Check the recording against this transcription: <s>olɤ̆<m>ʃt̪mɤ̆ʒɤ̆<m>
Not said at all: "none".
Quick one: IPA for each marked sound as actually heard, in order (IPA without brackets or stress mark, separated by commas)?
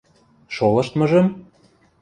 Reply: ʃ, none, m